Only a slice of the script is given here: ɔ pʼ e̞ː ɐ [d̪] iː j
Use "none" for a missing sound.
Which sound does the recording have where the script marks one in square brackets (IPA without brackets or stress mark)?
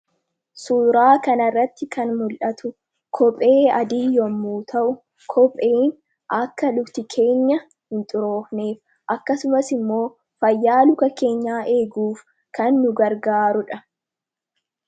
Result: d̪